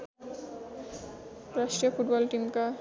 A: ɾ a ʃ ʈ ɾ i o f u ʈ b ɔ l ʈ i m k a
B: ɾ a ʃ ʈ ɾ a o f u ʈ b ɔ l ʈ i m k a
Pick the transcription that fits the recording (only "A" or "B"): A